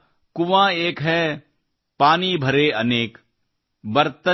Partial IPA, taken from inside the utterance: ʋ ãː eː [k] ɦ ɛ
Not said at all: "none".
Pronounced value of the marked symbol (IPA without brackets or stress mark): k